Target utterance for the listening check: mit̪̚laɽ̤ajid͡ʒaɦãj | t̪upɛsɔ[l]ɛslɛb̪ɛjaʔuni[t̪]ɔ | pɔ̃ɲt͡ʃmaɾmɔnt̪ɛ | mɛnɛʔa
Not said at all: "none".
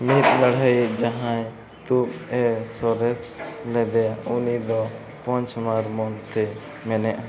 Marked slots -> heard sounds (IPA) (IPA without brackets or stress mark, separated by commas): ɾ, d̪